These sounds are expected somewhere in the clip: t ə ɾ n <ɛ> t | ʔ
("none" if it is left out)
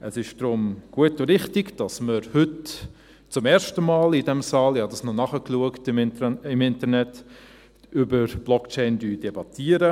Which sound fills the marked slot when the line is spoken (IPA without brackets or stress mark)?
ɛ